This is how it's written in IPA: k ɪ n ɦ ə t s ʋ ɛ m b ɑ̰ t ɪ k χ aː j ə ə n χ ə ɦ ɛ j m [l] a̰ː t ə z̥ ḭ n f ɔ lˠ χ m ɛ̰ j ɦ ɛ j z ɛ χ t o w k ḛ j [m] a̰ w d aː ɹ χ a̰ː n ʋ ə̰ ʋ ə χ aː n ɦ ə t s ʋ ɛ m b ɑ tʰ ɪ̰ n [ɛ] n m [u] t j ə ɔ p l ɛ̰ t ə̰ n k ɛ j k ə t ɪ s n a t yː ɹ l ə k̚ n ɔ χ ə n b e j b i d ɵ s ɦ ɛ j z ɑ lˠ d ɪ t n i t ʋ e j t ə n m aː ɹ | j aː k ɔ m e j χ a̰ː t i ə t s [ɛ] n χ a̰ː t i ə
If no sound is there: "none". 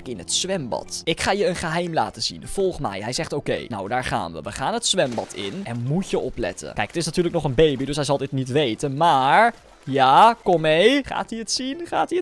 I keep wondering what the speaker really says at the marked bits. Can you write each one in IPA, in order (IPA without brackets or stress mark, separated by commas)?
l, n, ɛ, u, i